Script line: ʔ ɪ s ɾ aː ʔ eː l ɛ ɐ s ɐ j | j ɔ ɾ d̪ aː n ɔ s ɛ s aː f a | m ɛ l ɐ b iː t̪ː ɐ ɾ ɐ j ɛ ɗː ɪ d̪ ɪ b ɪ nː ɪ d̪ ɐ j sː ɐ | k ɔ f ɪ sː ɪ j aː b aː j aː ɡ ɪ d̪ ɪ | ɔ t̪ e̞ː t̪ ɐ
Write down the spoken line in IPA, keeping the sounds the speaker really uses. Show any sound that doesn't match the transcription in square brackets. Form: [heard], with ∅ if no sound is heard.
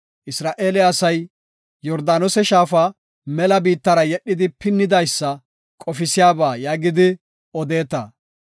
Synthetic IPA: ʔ ɪ s ɾ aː ʔ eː l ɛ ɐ s ɐ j | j ɔ ɾ d̪ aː n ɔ s ɛ [ʃ] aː f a | m ɛ l ɐ b iː t̪ː ɐ ɾ ɐ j ɛ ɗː ɪ d̪ ɪ [p] ɪ nː ɪ d̪ ɐ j sː ɐ | [kʼ] ɔ f ɪ [s] ɪ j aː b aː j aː ɡ ɪ d̪ ɪ | ɔ [d̪] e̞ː t̪ ɐ